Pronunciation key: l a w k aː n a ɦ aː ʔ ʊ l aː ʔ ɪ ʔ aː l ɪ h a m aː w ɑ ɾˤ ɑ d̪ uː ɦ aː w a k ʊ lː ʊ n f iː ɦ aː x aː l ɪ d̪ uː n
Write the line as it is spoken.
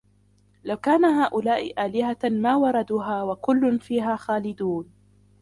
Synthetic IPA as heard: l a w k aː n a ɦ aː ʔ ʊ l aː ʔ ɪ ʔ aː l ɪ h a m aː w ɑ ɾˤ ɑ d̪ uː ɦ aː w a k ʊ lː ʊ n f iː ɦ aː x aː l ɪ d̪ uː n